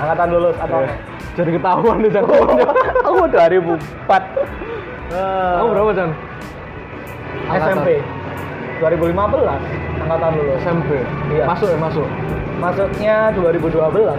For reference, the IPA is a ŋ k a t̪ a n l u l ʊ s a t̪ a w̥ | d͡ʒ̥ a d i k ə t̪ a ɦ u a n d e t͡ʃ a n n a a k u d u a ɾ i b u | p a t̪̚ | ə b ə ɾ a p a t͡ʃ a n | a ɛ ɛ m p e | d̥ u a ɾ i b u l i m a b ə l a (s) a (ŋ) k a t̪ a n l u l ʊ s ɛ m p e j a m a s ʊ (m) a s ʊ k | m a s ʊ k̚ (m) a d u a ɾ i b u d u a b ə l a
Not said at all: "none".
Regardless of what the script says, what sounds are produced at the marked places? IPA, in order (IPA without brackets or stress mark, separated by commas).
s, ŋ, m, ɲ